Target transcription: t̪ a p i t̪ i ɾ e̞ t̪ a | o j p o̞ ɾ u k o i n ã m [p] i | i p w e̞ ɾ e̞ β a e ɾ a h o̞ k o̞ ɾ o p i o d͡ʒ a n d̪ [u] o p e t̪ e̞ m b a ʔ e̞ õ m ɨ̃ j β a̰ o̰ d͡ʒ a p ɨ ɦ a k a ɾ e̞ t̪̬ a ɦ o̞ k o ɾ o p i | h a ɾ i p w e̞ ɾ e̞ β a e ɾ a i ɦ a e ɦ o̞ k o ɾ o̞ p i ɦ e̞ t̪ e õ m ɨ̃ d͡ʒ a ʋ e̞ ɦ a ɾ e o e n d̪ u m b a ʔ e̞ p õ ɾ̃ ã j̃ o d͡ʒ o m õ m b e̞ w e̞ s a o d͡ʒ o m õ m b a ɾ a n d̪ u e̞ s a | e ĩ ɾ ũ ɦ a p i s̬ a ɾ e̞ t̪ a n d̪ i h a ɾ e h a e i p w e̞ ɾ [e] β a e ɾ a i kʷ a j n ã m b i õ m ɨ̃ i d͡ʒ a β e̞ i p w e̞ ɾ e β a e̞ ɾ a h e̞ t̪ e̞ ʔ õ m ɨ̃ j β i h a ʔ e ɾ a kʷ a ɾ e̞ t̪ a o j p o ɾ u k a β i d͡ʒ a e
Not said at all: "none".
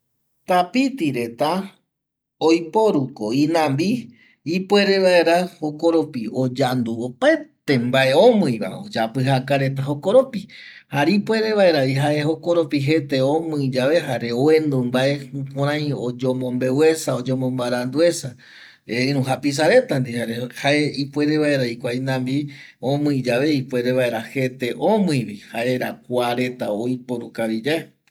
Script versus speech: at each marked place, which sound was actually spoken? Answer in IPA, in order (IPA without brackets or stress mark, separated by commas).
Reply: b, u, e